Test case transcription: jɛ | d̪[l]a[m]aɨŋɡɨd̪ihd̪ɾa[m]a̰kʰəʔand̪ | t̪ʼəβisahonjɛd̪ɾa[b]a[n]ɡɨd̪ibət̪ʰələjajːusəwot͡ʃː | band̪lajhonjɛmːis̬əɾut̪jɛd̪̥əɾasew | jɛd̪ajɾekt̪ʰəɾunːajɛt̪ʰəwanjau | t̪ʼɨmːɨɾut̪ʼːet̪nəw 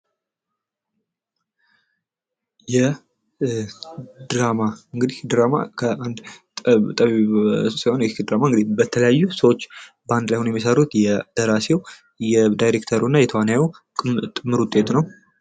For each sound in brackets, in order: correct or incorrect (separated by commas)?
incorrect, correct, correct, incorrect, incorrect